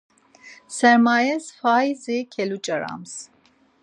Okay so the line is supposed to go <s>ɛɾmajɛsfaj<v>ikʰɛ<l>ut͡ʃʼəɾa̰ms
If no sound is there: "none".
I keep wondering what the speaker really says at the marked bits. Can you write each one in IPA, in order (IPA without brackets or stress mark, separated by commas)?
s, z, l